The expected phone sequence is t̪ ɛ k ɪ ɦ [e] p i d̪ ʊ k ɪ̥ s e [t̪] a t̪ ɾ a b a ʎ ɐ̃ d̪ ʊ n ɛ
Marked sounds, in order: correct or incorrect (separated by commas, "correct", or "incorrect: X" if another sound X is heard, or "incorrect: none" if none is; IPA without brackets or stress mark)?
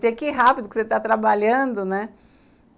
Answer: incorrect: a, correct